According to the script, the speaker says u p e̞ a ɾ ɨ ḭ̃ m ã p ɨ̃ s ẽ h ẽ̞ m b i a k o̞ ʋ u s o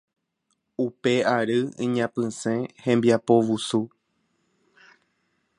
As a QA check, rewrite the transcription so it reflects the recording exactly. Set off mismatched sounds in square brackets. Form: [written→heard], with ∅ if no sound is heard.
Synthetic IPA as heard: u p e̞ a ɾ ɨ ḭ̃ [m→ɲ] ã p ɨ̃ s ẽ h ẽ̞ m b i a [k→p] o̞ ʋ u s [o→u]